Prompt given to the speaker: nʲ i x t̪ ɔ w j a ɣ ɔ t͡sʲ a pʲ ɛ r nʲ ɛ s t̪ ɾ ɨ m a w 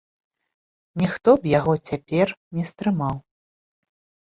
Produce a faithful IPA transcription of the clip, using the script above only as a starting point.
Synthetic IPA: nʲ i x t̪ ɔ b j a ɣ ɔ t͡sʲ a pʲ ɛ r nʲ ɛ s t̪ ɾ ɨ m a w